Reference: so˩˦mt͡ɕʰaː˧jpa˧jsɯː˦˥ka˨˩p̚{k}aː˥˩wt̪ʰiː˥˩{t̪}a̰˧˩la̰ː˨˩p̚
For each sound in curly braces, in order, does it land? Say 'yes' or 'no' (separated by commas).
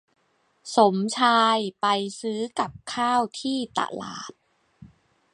no, yes